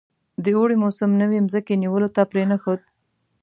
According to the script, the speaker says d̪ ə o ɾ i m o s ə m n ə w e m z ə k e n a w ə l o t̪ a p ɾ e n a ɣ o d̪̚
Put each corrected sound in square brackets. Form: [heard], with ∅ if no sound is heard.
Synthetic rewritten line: d̪ ə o [ɽ] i m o s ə m n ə w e m z ə k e n [i] w ə l o t̪ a p ɾ e n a [x] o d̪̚